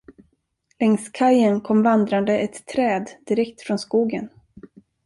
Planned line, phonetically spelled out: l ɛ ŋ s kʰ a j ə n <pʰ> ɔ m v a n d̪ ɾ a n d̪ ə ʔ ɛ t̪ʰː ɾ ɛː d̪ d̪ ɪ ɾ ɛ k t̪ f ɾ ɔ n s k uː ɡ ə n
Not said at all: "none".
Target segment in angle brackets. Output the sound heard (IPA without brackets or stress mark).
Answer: kʰ